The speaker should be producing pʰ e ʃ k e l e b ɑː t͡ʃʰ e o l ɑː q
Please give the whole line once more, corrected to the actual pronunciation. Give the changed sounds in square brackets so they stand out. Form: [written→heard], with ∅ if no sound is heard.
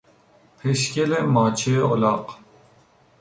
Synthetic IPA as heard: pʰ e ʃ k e l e [b→m] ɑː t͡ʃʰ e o l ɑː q